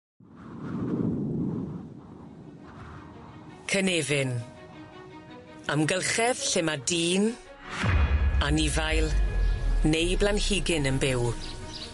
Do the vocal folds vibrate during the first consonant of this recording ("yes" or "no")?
no